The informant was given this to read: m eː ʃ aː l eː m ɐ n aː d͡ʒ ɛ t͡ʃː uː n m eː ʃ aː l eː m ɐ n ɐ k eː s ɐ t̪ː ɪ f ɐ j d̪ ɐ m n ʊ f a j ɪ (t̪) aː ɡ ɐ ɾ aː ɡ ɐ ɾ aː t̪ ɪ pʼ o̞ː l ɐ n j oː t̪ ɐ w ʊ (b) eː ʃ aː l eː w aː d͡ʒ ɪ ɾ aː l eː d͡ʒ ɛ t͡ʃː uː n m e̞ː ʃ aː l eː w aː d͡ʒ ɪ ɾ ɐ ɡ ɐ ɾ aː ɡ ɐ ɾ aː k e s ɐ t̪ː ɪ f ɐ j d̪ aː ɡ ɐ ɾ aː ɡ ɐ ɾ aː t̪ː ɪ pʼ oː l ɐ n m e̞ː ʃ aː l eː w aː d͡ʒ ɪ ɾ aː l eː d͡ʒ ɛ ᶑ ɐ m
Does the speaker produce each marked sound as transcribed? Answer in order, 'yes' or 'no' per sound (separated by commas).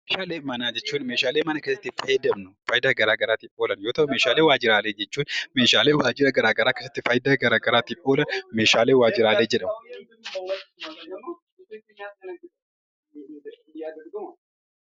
no, no